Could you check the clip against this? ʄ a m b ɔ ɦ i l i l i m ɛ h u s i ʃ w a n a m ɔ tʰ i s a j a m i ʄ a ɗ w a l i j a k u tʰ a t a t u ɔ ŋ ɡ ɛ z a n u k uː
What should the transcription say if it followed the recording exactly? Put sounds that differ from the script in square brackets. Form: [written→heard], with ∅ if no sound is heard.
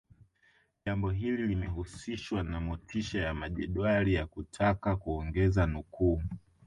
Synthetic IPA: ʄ a m b ɔ ɦ i l i l i m ɛ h u s i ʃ w a n a m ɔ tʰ i [s→ʃ] a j a m [i→a] ʄ [a→ɛ] ɗ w a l i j a k u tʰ a [t→k] a [t→k] u ɔ ŋ ɡ ɛ z a n u k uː